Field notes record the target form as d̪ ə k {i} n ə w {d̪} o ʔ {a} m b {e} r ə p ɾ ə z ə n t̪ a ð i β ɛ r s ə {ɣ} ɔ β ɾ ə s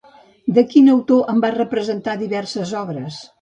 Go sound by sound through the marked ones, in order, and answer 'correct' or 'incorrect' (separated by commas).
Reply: correct, incorrect, incorrect, incorrect, incorrect